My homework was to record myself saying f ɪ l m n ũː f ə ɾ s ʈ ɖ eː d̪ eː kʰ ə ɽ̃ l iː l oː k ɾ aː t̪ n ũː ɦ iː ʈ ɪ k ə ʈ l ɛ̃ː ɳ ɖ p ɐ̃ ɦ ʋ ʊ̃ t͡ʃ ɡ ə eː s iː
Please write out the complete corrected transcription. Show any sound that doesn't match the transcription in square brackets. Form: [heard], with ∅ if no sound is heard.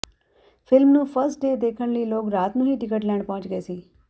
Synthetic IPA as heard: f ɪ l m n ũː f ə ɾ s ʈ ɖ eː d̪ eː kʰ ə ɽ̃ l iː l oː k ɾ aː t̪ n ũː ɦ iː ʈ ɪ k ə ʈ l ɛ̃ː ɳ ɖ p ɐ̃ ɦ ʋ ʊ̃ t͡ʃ ɡ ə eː s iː